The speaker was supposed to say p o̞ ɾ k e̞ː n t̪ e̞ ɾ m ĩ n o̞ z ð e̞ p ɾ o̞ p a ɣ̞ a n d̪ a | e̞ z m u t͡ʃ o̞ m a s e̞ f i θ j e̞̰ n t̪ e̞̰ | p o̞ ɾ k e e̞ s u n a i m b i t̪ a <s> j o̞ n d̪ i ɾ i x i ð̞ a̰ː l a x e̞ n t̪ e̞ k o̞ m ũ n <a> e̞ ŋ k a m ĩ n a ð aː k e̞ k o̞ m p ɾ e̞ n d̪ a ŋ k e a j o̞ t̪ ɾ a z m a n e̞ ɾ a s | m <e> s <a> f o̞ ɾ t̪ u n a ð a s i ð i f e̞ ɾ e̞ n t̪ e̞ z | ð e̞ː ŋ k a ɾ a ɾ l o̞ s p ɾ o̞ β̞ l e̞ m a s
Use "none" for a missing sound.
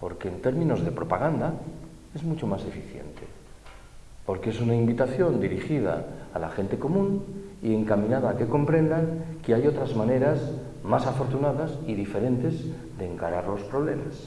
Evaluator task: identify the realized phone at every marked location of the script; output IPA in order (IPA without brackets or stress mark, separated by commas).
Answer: θ, i, a, a